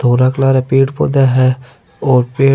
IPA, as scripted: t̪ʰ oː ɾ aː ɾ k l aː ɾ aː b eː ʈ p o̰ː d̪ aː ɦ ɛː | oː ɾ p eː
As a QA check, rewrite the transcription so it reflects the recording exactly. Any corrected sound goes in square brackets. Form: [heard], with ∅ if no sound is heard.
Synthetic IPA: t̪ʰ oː ɾ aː [∅] k l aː ɾ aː [p] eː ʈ p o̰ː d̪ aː ɦ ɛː | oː ɾ p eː